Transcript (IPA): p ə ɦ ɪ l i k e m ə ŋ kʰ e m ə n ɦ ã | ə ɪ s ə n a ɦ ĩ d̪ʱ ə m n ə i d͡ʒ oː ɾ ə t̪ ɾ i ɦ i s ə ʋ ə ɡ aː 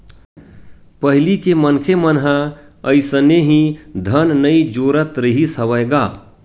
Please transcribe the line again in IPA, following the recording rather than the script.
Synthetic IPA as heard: p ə ɦ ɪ l i k e m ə n kʰ e m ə n ɦ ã | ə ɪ s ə n e ɦ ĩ d̪ʱ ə n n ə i d͡ʒ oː ɾ ə t̪ ɾ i ɦ i s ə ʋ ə ɡ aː